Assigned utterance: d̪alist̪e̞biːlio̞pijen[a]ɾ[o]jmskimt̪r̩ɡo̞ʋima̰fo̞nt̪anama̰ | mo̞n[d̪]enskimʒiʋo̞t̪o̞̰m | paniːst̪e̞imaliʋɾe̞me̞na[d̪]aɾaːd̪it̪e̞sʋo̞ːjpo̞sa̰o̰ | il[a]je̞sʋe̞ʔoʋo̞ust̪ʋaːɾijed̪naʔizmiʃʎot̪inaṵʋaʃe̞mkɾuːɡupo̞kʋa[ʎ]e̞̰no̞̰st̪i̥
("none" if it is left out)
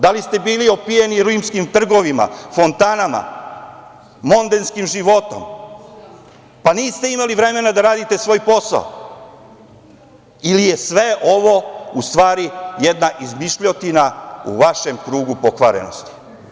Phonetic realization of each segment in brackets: i, u, d̪, d̪, i, ɾ

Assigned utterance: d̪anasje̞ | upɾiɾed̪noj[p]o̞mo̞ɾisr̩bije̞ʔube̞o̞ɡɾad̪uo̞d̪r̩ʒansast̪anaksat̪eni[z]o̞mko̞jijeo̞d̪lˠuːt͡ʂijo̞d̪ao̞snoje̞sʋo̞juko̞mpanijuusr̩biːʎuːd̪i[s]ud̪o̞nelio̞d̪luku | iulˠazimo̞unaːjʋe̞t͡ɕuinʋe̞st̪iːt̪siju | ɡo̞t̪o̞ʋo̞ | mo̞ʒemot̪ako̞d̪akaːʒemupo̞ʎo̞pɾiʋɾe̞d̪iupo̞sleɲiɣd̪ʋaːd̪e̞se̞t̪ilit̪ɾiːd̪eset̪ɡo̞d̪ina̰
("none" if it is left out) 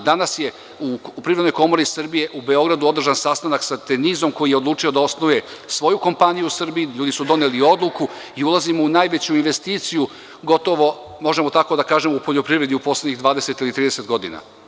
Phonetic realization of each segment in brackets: k, z, s

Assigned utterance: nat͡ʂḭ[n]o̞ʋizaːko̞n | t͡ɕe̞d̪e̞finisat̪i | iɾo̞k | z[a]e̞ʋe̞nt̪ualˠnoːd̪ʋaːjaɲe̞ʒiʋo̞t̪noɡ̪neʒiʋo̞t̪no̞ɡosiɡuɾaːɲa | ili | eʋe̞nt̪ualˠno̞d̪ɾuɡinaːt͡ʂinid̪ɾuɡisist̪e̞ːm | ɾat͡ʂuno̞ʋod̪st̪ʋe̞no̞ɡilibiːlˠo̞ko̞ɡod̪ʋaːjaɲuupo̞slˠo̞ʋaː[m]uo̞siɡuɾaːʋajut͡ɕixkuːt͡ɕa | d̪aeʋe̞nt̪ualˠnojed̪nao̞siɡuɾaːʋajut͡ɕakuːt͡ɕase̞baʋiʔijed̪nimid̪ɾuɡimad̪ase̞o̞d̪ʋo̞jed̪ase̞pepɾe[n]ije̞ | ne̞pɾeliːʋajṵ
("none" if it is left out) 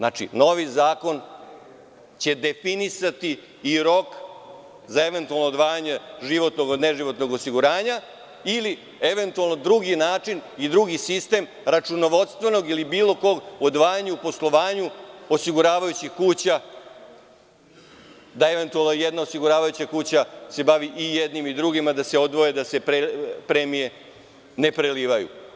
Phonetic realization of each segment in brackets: n, a, ɲ, m

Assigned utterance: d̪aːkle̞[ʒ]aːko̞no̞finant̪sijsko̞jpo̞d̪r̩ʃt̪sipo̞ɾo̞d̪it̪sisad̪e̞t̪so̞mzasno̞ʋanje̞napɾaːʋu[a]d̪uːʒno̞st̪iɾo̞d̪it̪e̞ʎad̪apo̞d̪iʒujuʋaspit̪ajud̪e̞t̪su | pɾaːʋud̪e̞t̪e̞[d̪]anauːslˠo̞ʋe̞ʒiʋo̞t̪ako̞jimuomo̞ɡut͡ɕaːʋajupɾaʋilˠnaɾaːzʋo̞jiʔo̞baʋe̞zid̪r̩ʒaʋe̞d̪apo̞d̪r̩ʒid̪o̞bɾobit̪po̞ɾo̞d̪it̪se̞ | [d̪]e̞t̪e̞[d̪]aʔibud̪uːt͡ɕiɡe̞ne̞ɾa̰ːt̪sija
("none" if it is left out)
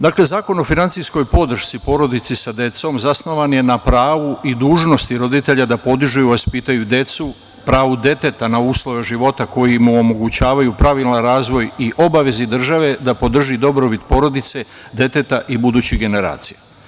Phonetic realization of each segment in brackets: z, i, t̪, d̪, t̪

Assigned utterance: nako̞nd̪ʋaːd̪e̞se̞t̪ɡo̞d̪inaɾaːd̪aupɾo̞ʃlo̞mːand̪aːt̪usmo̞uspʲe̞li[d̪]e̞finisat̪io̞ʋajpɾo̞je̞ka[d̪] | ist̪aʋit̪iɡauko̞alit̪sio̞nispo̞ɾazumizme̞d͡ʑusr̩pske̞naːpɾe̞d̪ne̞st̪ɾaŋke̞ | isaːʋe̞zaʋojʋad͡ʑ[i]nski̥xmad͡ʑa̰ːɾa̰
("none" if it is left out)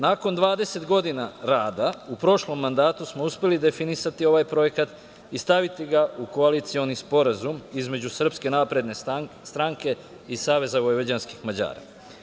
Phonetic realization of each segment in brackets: d̪, t̪, a

